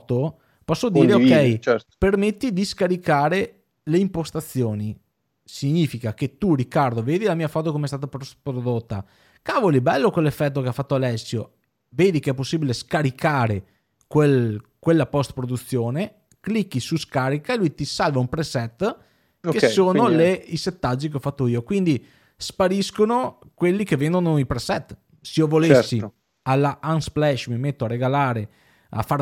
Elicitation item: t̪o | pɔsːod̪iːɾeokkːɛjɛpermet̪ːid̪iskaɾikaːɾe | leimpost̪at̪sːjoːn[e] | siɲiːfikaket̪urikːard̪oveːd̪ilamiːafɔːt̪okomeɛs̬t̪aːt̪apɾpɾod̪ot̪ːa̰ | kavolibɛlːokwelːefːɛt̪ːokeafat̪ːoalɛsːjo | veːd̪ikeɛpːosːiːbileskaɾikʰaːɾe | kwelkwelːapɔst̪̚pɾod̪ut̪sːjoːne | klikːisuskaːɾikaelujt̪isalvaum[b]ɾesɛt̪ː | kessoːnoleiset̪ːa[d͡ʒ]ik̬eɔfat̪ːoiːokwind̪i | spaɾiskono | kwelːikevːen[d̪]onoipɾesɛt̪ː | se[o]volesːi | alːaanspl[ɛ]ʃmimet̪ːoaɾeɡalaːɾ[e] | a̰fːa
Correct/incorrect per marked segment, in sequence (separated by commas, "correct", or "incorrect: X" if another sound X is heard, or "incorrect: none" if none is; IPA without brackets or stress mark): incorrect: i, incorrect: p, incorrect: d͡ʒː, correct, correct, correct, correct